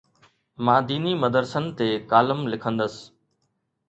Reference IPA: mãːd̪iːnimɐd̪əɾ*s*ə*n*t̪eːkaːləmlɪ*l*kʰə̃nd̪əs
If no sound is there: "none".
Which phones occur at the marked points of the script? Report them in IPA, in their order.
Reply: s, n, none

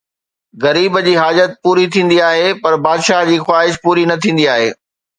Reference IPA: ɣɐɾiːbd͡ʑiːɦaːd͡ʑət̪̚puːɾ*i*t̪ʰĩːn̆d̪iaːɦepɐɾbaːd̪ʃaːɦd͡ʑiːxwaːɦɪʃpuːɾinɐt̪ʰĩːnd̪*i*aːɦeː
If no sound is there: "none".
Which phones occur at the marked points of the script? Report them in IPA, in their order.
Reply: i, i

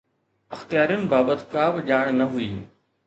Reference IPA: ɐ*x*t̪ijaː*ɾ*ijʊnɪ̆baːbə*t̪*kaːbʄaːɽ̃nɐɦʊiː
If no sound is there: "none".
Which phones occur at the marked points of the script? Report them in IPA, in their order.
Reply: x, ɾ, t̪

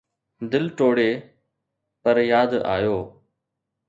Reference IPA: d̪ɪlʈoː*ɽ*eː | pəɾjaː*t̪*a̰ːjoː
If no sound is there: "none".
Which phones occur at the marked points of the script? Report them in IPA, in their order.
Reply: ɽ, d̪

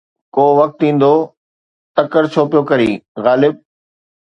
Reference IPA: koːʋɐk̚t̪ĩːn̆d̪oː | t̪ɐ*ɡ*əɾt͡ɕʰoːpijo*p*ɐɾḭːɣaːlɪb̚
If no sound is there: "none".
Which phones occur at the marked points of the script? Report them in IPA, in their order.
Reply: k, k

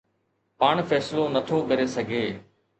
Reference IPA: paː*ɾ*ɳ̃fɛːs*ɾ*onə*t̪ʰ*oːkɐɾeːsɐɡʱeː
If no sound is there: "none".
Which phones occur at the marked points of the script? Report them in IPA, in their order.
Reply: none, l, t̪ʰ

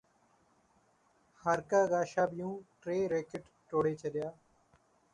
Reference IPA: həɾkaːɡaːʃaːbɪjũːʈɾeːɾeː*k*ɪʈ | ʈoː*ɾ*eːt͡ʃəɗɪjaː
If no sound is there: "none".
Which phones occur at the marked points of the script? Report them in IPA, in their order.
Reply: k, ɽ

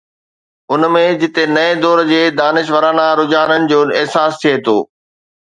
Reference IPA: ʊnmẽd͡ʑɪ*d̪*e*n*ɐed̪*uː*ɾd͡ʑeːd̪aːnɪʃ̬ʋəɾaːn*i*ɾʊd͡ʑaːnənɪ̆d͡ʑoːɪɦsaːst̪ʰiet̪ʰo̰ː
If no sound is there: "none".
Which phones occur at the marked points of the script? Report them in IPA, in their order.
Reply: t̪, n, ɔː, a

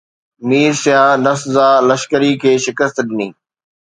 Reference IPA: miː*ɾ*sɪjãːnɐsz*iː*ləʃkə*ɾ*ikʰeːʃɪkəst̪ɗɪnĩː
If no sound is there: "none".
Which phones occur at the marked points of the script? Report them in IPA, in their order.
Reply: ɾ, aː, ɾ

